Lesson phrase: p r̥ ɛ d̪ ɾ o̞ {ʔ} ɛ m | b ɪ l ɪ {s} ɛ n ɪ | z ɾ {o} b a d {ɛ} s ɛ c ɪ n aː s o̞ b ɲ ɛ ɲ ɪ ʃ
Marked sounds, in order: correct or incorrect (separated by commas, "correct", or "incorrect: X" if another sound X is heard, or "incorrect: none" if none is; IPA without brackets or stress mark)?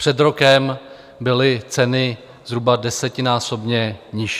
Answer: incorrect: k, incorrect: t͡s, incorrect: u, correct